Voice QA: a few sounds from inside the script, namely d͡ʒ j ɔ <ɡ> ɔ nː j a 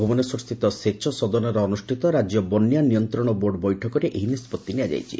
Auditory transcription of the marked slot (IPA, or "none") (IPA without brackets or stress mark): b